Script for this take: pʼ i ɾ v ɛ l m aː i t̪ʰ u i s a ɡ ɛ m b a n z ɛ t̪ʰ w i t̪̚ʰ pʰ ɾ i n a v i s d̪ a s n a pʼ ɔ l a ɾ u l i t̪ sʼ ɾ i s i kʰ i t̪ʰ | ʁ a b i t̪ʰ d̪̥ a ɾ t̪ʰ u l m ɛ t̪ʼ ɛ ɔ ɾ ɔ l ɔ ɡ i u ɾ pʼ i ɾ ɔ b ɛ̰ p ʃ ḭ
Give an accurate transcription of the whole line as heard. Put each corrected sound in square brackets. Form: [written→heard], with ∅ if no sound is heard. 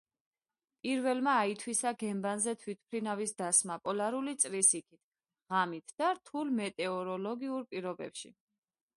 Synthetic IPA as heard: pʼ i ɾ v ɛ l m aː i t̪ʰ [u→w] i s a ɡ ɛ m b a n z ɛ t̪ʰ w i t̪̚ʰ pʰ ɾ i n a v i s d̪ a s [n→m] a pʼ ɔ l a ɾ u l i t̪ sʼ ɾ i s i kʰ i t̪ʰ | ʁ a [b→m] i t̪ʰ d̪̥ a ɾ t̪ʰ u l m ɛ t̪ʼ ɛ ɔ ɾ ɔ l ɔ ɡ i u ɾ pʼ i ɾ ɔ b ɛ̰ p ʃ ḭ